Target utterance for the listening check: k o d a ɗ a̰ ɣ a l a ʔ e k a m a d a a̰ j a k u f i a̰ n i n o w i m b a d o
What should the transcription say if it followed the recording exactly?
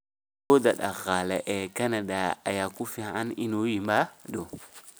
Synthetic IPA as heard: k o d a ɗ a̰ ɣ a l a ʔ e k a n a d a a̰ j a k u f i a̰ n i n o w i m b a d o